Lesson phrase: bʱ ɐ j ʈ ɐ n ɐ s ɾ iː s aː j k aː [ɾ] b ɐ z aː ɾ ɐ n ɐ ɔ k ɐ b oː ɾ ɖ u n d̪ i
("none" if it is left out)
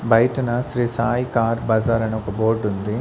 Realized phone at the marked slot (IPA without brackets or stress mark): ɾ